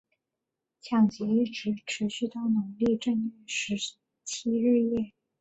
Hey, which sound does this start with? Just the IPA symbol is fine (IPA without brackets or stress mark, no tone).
t͡ɕʰ